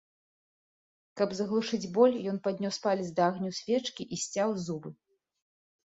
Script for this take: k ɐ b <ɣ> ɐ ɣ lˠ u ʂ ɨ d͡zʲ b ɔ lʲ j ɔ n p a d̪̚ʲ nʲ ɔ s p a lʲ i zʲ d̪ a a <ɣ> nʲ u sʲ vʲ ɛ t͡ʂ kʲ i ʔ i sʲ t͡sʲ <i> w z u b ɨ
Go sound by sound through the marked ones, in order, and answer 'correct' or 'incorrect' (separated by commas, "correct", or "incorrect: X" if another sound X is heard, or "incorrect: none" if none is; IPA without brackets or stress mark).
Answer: incorrect: z, correct, incorrect: a